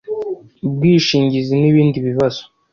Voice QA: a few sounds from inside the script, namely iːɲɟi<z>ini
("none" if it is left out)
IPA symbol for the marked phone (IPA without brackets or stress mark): z